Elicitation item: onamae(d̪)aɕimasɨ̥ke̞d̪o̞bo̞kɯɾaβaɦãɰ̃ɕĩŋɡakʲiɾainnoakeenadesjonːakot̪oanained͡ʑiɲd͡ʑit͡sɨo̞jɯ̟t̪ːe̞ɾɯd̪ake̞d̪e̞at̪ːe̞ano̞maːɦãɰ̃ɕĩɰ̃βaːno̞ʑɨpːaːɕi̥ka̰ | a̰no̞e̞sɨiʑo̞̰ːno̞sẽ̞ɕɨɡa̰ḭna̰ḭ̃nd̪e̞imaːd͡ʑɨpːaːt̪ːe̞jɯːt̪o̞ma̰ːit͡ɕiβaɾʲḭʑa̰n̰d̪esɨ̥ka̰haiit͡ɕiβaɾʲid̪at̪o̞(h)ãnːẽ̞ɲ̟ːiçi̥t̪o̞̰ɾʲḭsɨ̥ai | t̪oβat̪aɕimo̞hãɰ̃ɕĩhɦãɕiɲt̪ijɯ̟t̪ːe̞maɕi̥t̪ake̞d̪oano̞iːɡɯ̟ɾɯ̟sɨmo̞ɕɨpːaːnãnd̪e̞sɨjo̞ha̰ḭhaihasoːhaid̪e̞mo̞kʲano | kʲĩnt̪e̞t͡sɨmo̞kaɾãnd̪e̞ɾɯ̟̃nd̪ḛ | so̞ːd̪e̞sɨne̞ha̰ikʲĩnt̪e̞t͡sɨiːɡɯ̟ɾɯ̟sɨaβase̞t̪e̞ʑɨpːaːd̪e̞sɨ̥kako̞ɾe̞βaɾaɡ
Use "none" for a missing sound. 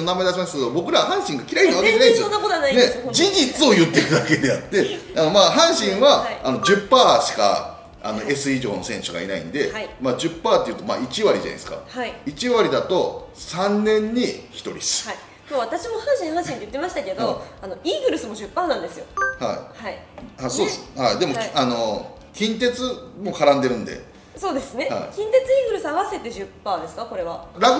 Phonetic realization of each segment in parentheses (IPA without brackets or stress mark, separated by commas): d̪, s